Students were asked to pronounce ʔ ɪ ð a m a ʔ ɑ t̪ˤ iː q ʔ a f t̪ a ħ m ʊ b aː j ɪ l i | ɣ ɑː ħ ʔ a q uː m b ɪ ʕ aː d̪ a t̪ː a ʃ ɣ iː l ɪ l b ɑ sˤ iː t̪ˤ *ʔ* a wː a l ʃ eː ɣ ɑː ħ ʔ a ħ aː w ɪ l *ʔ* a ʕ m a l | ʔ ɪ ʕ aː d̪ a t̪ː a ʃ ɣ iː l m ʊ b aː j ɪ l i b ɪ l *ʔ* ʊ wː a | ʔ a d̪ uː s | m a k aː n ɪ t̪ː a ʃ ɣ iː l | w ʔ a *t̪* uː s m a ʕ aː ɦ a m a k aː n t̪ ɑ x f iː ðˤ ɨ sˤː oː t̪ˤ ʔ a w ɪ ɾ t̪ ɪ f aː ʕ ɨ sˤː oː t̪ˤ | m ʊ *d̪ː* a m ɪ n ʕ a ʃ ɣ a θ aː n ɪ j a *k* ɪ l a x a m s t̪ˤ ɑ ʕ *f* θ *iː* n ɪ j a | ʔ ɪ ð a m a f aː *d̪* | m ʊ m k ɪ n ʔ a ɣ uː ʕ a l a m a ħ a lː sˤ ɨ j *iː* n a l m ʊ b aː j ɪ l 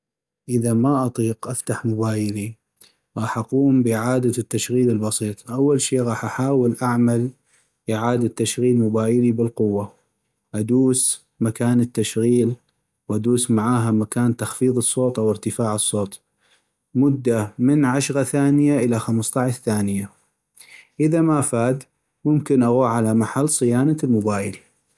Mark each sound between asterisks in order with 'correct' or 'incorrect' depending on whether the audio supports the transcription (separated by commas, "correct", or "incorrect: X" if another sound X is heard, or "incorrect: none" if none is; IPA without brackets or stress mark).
correct, correct, incorrect: q, incorrect: d̪, correct, incorrect: ʔ, incorrect: ʃ, incorrect: aː, correct, incorrect: aː